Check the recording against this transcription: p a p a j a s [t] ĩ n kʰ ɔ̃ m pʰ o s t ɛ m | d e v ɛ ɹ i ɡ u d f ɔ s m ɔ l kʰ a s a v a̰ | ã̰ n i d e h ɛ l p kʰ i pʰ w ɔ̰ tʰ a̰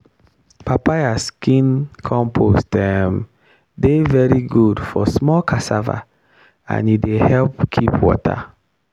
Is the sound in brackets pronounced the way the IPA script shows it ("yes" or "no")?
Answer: no